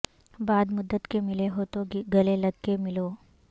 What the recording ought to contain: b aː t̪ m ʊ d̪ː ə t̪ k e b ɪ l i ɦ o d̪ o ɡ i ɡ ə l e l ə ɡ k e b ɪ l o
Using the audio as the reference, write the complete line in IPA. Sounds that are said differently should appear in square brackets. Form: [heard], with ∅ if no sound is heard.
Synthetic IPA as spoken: b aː [d̪] m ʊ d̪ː ə t̪ k e [m] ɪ l [e] ɦ o [t̪] o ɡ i ɡ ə l e l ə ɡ k e [m] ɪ l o